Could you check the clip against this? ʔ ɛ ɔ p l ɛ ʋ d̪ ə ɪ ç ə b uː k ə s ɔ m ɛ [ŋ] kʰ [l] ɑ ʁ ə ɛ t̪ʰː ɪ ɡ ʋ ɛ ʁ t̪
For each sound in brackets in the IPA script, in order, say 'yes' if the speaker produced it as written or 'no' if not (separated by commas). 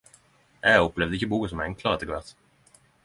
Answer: yes, yes